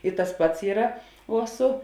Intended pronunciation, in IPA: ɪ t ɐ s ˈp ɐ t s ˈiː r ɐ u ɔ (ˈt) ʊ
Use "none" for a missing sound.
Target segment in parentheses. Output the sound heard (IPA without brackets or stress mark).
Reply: s